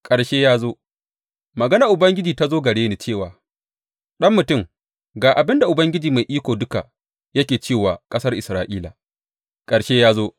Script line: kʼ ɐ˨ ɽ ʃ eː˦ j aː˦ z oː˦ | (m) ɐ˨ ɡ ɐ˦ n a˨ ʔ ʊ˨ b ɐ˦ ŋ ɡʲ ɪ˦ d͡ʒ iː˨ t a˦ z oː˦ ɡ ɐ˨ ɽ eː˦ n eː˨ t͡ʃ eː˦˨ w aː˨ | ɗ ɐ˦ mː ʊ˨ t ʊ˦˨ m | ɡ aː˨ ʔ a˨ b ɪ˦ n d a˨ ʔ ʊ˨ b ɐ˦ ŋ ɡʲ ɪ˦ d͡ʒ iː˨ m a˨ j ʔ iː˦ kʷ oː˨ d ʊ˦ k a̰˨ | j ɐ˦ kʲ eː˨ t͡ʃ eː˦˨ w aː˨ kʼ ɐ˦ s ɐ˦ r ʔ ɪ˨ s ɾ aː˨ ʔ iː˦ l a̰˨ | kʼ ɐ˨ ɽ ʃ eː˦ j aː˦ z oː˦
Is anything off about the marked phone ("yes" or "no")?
no